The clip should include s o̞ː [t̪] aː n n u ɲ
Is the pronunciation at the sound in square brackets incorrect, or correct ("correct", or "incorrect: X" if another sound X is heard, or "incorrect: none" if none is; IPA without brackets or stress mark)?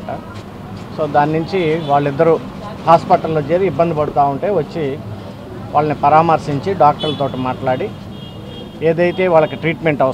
incorrect: d̪